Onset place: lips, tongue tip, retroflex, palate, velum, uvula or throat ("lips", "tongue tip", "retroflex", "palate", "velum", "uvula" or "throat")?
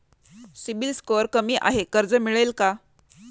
tongue tip